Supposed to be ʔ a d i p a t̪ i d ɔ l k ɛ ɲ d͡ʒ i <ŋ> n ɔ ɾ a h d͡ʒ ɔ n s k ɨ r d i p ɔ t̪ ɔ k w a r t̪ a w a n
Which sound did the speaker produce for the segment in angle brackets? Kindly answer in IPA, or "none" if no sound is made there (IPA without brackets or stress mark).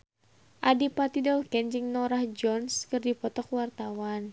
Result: ŋ